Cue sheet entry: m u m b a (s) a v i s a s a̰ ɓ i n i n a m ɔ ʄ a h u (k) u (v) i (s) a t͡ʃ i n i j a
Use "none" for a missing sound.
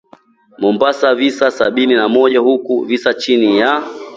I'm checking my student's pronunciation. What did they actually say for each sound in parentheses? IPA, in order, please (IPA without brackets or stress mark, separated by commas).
s, k, v, s